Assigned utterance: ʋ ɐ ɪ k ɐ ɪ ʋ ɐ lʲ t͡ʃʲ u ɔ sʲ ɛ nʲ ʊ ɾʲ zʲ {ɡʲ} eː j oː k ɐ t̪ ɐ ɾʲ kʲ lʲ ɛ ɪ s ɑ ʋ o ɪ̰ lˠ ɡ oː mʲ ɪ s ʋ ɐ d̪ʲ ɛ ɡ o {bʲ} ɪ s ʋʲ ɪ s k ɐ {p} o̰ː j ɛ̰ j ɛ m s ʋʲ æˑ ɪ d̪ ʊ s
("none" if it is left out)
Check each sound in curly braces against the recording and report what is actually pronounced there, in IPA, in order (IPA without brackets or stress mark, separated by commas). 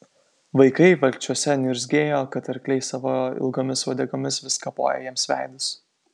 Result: ɡʲ, mʲ, p